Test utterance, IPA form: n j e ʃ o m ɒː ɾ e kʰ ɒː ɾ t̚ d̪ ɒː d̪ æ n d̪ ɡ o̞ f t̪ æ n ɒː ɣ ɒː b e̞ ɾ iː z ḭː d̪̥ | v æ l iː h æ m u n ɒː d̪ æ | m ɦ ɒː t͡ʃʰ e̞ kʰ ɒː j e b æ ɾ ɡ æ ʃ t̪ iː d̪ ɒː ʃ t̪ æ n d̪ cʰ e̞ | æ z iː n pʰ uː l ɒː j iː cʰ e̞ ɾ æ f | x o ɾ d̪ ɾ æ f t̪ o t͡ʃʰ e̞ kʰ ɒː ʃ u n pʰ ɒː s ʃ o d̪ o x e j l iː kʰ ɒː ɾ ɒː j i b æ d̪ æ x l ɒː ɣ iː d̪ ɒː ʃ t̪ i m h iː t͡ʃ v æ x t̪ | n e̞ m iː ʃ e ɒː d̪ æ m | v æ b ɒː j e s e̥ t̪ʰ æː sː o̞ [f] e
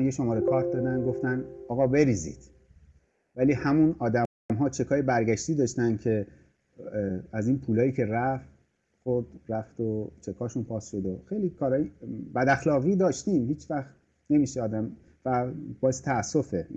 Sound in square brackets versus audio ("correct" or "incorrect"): correct